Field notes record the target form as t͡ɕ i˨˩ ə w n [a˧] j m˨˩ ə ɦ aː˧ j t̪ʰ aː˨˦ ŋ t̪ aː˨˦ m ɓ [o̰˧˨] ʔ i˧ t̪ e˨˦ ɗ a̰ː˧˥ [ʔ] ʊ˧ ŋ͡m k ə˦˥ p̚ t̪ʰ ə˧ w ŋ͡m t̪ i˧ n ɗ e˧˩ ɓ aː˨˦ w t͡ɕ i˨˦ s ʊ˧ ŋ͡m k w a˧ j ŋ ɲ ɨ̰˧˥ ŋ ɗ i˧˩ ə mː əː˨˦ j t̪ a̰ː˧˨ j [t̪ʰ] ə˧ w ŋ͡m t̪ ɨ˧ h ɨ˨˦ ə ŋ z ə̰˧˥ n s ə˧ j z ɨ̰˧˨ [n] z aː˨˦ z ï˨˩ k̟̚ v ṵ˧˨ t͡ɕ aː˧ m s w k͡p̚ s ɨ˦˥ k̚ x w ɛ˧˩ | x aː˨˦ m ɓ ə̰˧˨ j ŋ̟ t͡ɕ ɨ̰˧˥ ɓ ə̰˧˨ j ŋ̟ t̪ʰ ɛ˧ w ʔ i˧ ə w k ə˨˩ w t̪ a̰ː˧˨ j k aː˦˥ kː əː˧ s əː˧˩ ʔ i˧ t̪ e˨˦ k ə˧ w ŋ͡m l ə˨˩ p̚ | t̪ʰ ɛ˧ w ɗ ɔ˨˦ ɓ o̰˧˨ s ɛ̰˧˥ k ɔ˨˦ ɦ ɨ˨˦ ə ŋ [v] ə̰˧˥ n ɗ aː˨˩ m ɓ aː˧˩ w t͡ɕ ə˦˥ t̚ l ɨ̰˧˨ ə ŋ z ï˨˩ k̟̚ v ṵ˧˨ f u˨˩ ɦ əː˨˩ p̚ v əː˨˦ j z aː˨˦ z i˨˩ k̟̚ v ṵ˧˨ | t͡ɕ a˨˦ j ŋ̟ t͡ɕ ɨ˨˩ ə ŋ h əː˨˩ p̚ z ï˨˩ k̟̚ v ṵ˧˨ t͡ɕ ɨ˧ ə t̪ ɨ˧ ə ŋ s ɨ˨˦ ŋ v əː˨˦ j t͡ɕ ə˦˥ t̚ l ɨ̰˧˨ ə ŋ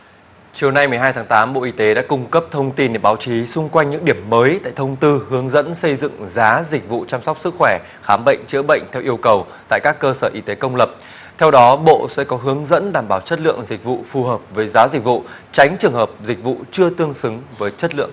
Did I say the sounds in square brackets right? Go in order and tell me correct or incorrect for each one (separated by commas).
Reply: correct, correct, incorrect, correct, incorrect, incorrect